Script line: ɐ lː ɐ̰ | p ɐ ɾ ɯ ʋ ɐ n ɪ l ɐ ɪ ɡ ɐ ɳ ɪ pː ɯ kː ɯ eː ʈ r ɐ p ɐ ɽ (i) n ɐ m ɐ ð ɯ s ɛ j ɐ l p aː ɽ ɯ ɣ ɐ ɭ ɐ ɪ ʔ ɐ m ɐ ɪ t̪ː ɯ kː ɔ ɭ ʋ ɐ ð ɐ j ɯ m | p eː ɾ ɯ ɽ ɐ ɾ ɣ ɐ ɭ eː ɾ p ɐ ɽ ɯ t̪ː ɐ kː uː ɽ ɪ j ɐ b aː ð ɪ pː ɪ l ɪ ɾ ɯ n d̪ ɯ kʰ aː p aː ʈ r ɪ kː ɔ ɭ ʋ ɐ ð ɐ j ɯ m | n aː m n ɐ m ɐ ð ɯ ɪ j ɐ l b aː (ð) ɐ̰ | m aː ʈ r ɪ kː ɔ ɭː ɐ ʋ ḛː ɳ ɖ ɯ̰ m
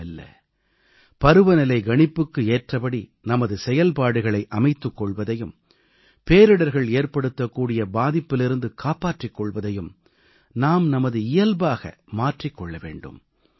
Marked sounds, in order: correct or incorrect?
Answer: correct, incorrect

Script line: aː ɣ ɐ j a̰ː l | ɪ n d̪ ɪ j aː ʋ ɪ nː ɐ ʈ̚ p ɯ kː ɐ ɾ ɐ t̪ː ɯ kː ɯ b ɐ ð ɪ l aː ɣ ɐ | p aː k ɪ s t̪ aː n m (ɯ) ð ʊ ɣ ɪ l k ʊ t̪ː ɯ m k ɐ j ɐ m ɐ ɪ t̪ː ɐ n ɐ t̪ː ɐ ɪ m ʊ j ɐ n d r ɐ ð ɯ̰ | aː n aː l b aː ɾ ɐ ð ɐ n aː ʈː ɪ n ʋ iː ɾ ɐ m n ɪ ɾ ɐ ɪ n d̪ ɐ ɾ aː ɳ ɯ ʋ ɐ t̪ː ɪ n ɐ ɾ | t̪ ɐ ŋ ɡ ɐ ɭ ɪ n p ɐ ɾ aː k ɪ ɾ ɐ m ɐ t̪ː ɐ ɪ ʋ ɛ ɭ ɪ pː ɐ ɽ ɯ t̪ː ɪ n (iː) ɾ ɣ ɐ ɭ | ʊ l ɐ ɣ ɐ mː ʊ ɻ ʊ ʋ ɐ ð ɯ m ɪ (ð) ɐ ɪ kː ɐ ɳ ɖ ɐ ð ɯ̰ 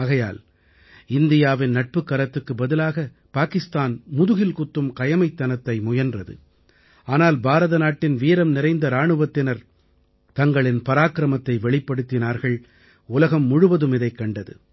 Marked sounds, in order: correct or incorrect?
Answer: incorrect, incorrect, correct

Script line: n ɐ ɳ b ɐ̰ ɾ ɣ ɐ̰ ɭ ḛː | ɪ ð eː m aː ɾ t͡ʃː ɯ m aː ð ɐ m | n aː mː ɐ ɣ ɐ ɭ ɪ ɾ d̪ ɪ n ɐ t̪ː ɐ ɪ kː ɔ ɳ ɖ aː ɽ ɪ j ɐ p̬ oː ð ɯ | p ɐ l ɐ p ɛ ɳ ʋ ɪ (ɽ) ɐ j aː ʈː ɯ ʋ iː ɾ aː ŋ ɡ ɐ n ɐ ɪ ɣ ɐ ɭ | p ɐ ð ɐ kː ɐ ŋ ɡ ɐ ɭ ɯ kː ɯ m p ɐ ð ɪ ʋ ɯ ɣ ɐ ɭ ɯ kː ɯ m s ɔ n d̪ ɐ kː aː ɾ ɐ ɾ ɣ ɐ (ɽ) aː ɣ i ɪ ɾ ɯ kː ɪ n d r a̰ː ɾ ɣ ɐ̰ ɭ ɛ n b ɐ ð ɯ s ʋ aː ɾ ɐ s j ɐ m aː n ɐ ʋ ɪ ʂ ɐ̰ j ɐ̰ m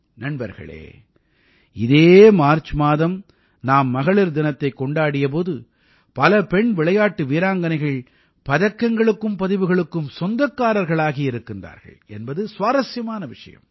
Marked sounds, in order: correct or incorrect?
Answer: incorrect, incorrect

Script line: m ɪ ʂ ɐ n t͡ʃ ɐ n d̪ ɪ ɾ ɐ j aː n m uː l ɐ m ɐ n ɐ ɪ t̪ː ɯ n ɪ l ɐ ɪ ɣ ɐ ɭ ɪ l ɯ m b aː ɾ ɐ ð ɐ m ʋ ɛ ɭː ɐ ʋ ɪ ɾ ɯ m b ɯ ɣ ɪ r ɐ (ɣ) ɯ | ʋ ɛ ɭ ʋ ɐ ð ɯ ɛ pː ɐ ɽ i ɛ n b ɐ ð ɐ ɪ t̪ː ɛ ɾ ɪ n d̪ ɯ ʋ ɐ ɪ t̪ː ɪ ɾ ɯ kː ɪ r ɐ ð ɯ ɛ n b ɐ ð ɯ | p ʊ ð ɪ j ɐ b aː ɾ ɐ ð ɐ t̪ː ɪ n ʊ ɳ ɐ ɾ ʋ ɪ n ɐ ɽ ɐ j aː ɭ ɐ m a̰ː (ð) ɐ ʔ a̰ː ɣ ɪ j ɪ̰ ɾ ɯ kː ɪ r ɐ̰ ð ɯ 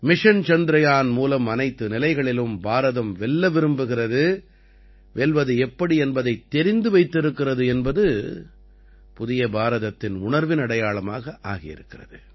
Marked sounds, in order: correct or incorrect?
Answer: incorrect, incorrect

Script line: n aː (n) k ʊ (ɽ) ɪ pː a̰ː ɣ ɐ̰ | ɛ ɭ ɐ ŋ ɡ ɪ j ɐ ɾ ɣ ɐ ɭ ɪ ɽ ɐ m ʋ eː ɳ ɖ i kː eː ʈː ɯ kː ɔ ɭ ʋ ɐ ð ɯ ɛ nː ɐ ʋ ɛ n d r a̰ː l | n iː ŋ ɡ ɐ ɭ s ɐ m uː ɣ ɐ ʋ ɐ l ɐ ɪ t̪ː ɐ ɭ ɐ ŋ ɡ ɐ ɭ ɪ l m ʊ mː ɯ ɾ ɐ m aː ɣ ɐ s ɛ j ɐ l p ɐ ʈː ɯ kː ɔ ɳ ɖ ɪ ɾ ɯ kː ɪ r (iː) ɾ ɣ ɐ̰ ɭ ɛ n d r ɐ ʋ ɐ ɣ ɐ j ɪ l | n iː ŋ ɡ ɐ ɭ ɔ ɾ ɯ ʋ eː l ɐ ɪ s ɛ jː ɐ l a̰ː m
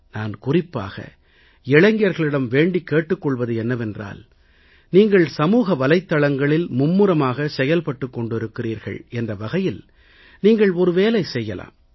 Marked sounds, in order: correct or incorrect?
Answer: correct, incorrect, correct

